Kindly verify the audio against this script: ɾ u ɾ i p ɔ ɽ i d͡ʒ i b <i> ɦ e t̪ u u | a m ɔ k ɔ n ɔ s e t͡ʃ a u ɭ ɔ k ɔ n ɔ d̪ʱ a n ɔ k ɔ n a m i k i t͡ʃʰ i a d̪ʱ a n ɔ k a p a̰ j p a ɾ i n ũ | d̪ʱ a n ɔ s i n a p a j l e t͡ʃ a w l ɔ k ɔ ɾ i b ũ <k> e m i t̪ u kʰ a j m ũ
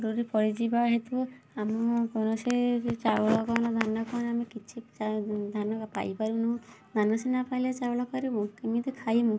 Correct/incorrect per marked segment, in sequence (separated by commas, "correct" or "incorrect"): incorrect, correct